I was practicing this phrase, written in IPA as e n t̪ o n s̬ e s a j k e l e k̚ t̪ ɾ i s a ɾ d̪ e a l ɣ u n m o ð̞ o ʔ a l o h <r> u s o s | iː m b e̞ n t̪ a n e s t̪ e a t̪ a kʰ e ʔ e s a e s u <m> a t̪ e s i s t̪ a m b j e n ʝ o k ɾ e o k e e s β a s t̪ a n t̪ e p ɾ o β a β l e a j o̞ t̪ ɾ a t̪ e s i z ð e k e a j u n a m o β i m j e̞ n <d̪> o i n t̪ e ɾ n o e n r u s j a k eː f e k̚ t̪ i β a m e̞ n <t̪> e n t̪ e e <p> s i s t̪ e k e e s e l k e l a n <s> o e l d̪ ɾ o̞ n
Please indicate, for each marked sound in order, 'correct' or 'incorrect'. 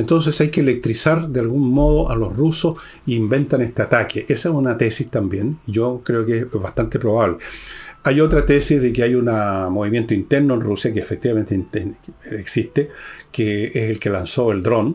correct, incorrect, incorrect, correct, incorrect, correct

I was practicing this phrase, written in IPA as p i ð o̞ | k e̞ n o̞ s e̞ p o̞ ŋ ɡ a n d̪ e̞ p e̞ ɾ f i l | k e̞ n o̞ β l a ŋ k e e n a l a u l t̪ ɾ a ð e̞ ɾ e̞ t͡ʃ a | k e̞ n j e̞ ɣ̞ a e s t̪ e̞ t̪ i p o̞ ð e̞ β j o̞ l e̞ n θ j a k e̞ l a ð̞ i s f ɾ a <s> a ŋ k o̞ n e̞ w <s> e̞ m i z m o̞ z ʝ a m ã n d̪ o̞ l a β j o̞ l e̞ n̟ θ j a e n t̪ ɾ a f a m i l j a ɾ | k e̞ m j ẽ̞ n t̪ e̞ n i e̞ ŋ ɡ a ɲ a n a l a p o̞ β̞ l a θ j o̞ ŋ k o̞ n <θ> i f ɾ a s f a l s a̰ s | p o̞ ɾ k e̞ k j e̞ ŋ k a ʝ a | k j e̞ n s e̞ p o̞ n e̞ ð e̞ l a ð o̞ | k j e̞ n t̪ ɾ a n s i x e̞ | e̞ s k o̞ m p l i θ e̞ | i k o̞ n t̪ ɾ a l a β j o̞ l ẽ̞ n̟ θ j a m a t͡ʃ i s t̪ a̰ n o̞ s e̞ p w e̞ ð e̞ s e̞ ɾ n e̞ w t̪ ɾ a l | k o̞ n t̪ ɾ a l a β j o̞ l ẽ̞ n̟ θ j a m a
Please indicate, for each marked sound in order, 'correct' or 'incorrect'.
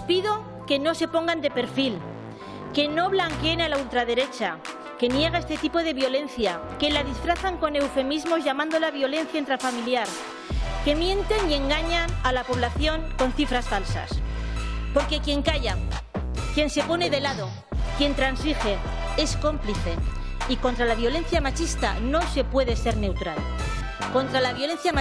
incorrect, incorrect, correct

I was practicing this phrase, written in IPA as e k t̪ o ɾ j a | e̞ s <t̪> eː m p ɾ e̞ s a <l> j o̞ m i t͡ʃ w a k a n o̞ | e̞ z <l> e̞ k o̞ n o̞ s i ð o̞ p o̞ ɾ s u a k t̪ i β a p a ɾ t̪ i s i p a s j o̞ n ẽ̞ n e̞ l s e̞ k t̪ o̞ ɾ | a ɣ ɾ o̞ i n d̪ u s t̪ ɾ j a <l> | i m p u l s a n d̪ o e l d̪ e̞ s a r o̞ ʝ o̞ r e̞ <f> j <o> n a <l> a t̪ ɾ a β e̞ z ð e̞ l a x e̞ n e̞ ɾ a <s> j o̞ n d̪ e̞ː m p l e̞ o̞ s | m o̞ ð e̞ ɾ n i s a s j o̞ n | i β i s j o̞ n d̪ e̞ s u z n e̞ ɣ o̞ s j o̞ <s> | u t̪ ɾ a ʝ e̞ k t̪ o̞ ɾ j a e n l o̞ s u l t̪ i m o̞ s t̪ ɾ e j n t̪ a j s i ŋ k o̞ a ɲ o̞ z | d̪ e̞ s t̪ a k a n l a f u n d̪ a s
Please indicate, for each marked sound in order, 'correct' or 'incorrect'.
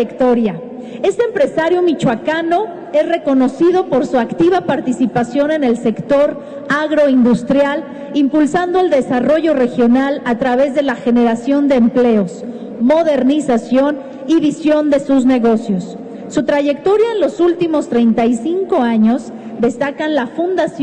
correct, incorrect, incorrect, correct, incorrect, correct, correct, correct, incorrect

